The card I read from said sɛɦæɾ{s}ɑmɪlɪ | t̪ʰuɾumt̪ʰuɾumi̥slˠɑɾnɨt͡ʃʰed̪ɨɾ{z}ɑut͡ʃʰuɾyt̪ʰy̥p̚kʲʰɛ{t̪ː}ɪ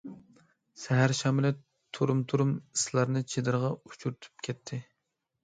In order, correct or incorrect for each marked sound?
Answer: incorrect: ʃ, incorrect: ʁ, incorrect: t̪ʰː

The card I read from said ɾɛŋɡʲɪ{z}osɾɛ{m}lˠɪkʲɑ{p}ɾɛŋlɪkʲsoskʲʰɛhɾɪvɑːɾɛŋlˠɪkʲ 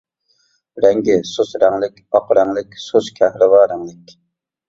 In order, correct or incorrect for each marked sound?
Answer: incorrect: s, incorrect: ŋ, incorrect: q

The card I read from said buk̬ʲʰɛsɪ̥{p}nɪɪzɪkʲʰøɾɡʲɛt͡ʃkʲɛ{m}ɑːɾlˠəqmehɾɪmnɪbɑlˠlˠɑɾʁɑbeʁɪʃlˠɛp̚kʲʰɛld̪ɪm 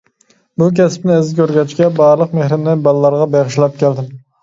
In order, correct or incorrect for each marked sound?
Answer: correct, incorrect: b

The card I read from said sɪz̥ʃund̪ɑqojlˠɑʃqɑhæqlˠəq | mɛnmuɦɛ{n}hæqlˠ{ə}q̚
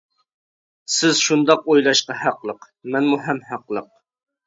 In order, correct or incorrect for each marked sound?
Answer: incorrect: m, correct

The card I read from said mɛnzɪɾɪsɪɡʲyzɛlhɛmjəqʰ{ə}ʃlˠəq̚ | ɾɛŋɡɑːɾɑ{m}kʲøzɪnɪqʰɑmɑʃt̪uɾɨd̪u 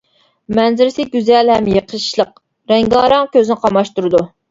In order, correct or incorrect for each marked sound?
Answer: correct, incorrect: ŋ

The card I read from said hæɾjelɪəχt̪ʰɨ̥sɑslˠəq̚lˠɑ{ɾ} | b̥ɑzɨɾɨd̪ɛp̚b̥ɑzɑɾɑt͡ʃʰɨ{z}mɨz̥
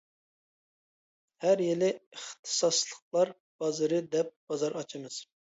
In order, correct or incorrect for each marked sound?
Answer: correct, incorrect: none

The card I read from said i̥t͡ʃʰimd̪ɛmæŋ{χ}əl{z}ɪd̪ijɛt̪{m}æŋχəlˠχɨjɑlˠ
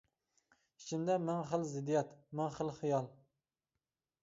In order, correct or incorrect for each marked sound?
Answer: correct, correct, correct

